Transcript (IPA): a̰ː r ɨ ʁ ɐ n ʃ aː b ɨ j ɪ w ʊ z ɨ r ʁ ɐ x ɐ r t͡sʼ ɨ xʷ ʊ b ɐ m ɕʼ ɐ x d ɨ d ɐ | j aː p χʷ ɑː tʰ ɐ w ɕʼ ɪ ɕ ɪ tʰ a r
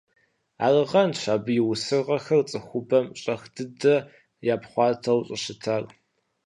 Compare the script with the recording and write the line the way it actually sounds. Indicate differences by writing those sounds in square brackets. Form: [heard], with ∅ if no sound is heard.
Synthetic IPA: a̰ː r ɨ ʁ ɐ n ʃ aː b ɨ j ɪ w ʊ [s] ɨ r ʁ ɐ x ɐ r t͡sʼ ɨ xʷ ʊ b ɐ m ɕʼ ɐ x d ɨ d ɐ | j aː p χʷ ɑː tʰ ɐ w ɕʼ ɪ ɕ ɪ tʰ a r